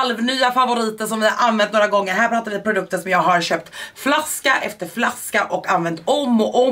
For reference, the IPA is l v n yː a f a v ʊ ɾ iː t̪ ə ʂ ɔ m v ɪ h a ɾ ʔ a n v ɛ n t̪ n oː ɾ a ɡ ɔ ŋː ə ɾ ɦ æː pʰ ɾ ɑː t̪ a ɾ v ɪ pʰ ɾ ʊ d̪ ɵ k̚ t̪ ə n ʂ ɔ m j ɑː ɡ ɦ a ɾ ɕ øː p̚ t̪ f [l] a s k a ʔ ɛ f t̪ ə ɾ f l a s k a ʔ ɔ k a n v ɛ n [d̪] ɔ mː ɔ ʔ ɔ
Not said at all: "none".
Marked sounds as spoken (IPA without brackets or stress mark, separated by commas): l, t̪